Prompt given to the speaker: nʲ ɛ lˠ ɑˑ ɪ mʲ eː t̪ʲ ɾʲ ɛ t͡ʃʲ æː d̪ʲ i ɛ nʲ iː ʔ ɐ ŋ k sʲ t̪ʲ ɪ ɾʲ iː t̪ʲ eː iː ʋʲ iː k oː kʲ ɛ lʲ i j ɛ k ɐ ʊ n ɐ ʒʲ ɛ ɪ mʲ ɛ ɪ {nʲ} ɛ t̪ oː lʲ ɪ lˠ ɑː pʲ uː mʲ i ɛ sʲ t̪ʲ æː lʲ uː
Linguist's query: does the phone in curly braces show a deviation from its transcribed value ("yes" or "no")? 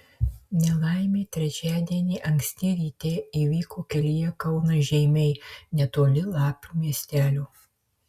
no